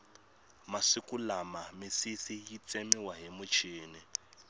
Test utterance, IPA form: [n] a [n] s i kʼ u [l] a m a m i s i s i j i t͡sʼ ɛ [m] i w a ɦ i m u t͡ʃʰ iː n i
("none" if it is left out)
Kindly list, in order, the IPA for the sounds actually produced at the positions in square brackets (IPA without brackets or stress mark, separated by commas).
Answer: m, none, l, m